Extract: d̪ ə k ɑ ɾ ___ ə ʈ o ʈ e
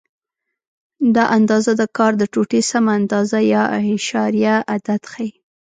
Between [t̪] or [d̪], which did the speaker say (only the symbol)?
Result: d̪